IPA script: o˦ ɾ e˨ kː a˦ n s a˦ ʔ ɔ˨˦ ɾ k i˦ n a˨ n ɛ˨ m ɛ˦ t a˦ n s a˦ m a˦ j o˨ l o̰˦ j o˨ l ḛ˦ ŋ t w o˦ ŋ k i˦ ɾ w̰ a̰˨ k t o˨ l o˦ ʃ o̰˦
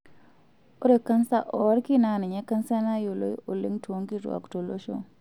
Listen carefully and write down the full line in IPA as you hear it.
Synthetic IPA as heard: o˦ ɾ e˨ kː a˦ n s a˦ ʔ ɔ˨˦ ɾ k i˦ n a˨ n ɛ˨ ɲ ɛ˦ k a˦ n s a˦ n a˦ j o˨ l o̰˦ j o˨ l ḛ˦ ŋ t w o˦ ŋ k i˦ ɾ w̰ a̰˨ k t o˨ l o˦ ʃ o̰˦